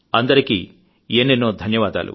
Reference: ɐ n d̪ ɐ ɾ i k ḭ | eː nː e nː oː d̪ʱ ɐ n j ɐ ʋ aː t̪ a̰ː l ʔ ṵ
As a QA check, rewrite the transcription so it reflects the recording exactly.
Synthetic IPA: ɐ n d̪ ɐ ɾ i k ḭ | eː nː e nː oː d̪ʱ ɐ n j ɐ ʋ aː d̪ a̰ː l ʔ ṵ